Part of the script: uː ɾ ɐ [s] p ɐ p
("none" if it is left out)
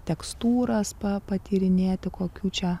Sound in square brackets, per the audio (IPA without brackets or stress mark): s